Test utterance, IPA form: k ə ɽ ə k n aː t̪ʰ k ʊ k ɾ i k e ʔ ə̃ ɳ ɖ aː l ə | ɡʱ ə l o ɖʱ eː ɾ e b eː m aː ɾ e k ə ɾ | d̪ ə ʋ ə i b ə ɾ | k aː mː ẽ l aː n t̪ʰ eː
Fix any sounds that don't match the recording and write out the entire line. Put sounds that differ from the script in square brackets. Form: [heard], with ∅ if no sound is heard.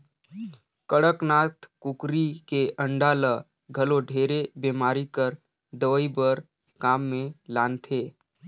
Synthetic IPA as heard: k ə ɽ ə k n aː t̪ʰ k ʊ k ɾ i k e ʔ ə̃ ɳ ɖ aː l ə | ɡʱ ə l o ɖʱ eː ɾ e b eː m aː ɾ [i] k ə ɾ | d̪ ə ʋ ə i b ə ɾ | k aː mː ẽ l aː n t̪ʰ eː

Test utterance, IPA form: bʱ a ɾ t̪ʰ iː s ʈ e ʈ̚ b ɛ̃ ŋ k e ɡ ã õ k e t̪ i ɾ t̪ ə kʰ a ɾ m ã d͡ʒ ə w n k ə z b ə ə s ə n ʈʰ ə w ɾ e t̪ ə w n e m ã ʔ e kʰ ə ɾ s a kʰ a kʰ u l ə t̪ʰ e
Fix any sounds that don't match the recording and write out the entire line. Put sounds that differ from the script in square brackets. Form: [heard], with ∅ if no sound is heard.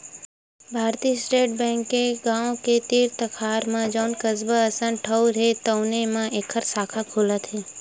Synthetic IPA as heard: bʱ a ɾ [t̪] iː s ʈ e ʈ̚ b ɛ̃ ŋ k e ɡ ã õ k e t̪ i ɾ t̪ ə kʰ a ɾ m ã d͡ʒ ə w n k ə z b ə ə s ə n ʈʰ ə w ɾ e t̪ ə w n e m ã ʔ e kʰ ə ɾ s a kʰ a kʰ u l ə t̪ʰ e

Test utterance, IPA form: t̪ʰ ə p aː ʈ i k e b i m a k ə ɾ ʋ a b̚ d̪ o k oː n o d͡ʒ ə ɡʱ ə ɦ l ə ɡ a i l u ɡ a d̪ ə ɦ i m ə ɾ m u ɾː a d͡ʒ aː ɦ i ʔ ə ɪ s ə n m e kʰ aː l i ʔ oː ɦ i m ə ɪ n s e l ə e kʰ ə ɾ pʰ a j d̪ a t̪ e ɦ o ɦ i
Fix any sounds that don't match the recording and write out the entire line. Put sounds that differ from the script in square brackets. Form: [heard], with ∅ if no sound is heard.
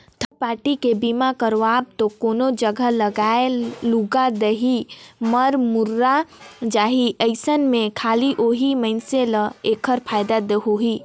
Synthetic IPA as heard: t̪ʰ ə p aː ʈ i k e b i m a k ə ɾ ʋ a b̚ [t̪] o k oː n o d͡ʒ ə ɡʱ ə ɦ l ə ɡ a [e] l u ɡ a d̪ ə ɦ i m ə ɾ m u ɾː a d͡ʒ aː ɦ i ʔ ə ɪ s ə n m e kʰ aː l i ʔ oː ɦ i m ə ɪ n s e l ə e kʰ ə ɾ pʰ a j d̪ a [d̪] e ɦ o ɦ i

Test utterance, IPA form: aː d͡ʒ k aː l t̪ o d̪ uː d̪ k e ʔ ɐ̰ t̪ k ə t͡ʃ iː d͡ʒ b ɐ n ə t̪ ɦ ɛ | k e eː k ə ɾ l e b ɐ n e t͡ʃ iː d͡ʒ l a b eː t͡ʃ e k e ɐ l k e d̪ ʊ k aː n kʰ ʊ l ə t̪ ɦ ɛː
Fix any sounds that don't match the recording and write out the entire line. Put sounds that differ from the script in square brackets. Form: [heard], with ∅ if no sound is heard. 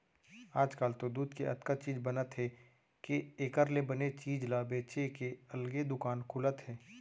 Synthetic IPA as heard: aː d͡ʒ k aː l t̪ o d̪ uː d̪ k e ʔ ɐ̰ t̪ k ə t͡ʃ iː d͡ʒ b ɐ n ə t̪ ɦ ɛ | k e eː k ə ɾ l e b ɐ n e t͡ʃ iː d͡ʒ l a b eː t͡ʃ e k e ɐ l [ɡ] e d̪ ʊ k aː n kʰ ʊ l ə t̪ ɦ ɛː

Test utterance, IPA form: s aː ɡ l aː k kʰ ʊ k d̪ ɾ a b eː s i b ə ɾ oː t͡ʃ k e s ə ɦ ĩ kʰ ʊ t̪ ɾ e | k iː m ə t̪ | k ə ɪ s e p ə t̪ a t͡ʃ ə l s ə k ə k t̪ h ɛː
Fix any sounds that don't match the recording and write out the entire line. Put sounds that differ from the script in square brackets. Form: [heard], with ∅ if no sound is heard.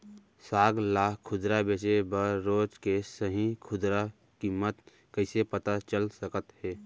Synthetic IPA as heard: s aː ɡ l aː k kʰ ʊ [∅] d̪ ɾ a b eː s [e] b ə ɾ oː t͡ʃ k e s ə ɦ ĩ kʰ ʊ [d̪] ɾ [a] | k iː m ə t̪ | k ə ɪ s e p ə t̪ a t͡ʃ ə l s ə k ə [∅] t̪ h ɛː

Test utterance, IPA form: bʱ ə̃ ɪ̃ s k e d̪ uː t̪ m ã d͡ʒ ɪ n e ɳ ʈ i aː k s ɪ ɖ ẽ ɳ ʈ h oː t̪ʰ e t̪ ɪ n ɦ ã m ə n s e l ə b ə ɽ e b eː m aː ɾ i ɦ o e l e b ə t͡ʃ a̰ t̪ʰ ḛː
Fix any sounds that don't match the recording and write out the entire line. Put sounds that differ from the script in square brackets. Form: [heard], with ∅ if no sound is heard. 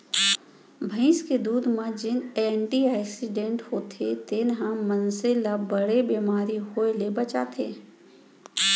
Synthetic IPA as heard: bʱ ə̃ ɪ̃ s k e d̪ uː [d̪] m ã d͡ʒ ɪ n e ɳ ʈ i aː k s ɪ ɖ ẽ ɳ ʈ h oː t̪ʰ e t̪ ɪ n ɦ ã m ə n s e l [a] b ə ɽ e b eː m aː ɾ i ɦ o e l e b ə t͡ʃ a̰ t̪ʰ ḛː

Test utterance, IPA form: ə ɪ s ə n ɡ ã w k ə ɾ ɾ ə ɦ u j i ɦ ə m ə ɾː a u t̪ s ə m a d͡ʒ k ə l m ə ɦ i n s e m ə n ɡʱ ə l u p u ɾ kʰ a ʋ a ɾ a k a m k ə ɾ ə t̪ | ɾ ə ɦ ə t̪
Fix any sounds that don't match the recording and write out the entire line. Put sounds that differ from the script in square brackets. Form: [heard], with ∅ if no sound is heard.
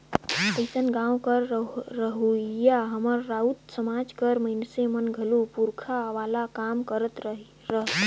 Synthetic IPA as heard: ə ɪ s ə n ɡ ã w k ə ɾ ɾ ə ɦ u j [a] ɦ ə m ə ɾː a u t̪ s ə m a d͡ʒ k ə [ɾ] m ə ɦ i n s e m ə n ɡʱ ə l u p u ɾ kʰ a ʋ a [l] a k a m k ə ɾ ə t̪ | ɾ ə ɦ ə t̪

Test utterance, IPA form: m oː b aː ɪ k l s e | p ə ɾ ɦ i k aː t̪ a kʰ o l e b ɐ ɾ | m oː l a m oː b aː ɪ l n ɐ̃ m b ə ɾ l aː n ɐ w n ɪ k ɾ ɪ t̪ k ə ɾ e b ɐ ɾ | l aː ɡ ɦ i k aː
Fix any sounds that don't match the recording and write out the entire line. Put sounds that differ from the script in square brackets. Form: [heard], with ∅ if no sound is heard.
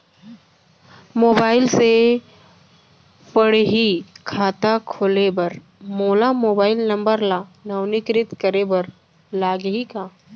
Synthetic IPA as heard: m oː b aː ɪ [∅] l s e | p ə [ɽ] ɦ i [kʰ] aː t̪ a kʰ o l e b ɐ ɾ | m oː l a m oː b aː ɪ l n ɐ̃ m b ə ɾ l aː n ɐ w n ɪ k ɾ ɪ t̪ k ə ɾ e b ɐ ɾ | l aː ɡ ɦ i k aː

